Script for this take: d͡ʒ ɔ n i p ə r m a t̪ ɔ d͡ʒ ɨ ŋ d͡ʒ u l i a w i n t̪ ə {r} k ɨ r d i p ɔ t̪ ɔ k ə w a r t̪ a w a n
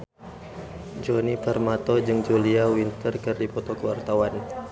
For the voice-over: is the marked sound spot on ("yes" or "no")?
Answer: yes